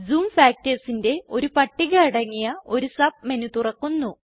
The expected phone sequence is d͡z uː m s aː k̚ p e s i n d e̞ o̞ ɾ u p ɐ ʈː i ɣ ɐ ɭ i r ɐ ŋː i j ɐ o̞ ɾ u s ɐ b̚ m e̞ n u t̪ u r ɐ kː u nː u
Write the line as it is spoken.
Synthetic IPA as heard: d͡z uː m f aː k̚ t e s i n d e̞ o̞ ɾ u p ɐ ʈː i ɣ ɐ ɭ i ɽ ɐ ŋː i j ɐ o̞ ɾ u s ɐ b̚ m e̞ n u t̪ u r ɐ kː u nː u